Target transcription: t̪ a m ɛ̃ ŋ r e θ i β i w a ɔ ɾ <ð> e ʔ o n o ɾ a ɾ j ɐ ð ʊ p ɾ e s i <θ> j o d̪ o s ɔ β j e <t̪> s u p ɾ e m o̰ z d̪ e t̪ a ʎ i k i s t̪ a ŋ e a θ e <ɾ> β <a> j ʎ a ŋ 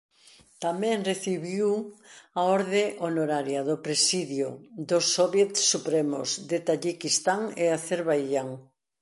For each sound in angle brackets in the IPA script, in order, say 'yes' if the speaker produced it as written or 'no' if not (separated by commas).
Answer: yes, no, yes, yes, yes